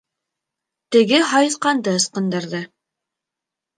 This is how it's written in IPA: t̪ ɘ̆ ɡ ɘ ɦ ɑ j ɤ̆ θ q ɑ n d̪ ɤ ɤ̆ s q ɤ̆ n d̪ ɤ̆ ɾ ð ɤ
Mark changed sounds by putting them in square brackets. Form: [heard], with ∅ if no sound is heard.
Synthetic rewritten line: t̪ ɘ̆ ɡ ɘ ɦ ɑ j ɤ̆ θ q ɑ n d̪ ɤ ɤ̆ s q ɤ̆ n d̪ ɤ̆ ɾ ð ɤ